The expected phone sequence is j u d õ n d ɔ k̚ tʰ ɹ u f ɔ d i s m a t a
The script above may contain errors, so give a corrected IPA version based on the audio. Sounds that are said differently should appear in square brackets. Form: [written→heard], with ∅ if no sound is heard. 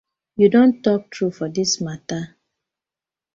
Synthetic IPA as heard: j u d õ n [d→t] ɔ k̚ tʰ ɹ u f ɔ d i s m a t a

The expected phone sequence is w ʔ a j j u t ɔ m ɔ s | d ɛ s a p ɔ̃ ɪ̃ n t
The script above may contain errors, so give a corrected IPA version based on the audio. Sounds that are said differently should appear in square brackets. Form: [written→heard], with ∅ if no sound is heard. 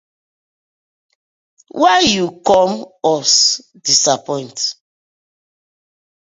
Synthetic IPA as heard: w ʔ a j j u [t→k] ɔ m ɔ s | d [ɛ→i] s a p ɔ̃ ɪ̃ n t

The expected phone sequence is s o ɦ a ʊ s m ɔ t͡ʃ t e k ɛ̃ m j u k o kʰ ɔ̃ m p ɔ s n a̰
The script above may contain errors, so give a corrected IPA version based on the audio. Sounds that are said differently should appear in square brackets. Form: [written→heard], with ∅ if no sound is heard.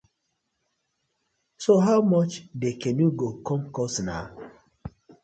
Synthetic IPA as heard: s o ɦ a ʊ [s→∅] m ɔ t͡ʃ [t→d] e k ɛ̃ [m→n] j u [k→ɡ] o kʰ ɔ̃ m [p→k] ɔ s n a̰

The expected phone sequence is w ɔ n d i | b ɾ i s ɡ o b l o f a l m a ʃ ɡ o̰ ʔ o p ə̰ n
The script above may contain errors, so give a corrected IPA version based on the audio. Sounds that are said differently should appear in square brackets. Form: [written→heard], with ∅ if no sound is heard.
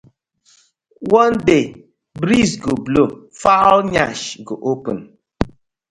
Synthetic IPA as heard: w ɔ n d [i→e] | b ɾ i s ɡ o b l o f a l [m→ɲ] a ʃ ɡ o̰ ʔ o p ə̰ n

